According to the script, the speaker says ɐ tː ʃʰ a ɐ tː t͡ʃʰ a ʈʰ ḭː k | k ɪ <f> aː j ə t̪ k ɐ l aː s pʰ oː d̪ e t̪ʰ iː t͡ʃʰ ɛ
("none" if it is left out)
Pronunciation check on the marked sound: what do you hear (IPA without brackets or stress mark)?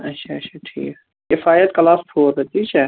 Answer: f